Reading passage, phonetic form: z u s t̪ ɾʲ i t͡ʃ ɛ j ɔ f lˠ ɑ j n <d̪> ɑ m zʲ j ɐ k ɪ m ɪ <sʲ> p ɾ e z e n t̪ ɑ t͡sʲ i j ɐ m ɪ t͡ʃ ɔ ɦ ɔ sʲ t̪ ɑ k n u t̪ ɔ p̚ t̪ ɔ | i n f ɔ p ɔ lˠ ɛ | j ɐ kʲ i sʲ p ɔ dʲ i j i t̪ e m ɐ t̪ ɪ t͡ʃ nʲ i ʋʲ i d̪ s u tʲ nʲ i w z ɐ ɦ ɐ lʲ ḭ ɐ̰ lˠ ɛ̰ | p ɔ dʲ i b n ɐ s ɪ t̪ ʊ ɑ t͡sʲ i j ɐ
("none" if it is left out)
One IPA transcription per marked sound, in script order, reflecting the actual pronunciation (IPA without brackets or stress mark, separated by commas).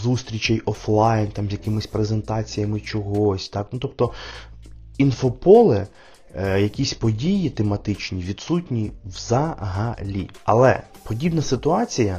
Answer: t̪, sʲ